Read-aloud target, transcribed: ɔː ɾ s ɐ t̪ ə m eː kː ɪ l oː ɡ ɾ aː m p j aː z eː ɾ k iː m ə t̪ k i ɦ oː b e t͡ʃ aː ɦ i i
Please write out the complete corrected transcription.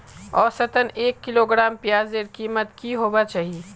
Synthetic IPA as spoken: ɔː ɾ s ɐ t̪ ə n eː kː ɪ l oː ɡ ɾ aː m p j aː z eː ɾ k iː m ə t̪ k i ɦ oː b a t͡ʃ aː ɦ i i